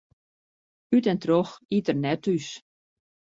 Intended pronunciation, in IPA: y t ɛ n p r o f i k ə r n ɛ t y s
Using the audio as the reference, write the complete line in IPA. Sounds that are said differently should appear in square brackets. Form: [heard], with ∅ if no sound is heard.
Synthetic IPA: y t ɛ n [t] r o [x] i [t] ə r n ɛ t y s